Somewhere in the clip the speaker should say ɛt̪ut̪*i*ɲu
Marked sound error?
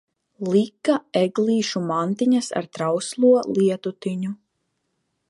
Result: no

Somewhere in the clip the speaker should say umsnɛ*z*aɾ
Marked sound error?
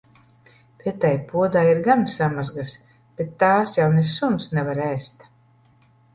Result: yes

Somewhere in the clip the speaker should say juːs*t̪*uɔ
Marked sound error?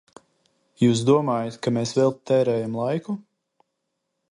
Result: yes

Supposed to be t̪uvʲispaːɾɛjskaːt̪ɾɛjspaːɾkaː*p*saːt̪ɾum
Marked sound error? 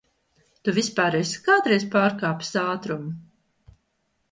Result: no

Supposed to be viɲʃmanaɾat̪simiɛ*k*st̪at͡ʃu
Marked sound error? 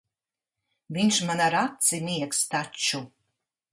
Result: no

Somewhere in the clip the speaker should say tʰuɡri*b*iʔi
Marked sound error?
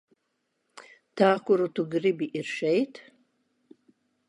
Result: no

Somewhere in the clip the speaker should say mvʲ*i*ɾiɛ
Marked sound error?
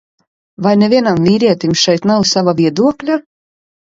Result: yes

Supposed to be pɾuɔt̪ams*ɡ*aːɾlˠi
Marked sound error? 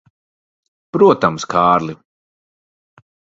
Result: yes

